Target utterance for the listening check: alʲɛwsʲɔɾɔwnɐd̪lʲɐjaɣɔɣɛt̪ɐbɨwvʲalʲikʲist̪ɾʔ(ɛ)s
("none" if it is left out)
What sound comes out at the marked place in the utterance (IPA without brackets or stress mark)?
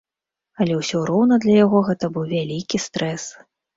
ɛ